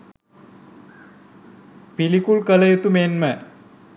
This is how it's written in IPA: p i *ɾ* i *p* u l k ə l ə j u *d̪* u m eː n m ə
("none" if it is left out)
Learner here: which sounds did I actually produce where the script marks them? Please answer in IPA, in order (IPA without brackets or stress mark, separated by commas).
l, k, t̪